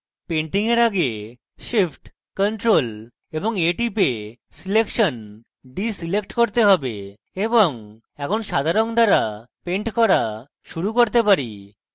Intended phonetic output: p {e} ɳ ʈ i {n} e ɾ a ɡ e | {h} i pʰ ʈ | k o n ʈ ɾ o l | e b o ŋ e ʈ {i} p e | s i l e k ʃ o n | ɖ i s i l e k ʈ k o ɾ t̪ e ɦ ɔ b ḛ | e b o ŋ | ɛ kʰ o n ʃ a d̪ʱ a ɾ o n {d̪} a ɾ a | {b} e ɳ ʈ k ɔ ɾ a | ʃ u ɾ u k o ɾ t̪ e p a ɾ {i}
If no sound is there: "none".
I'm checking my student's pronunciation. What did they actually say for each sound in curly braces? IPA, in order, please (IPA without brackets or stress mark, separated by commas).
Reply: e, ŋ, ʃ, i, d̪, p, i